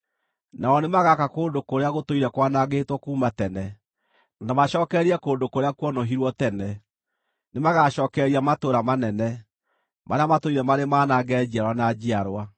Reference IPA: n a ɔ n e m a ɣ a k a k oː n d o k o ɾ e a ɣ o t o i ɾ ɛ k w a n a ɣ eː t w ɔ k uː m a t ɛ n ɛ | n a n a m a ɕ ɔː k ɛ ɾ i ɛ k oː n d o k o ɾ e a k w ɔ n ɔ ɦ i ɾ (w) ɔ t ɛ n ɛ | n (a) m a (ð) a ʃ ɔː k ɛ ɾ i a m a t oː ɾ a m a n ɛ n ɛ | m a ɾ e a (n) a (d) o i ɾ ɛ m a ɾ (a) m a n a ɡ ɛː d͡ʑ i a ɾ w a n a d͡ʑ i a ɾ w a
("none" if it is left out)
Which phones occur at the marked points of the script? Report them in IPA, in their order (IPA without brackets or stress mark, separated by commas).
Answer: w, e, ɣ, m, t, e